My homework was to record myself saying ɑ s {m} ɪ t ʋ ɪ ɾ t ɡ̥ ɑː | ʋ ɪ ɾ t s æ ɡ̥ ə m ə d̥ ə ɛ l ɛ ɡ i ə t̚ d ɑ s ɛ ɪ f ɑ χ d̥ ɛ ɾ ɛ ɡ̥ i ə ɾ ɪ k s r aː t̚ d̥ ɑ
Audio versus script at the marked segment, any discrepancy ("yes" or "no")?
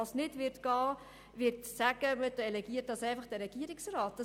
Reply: yes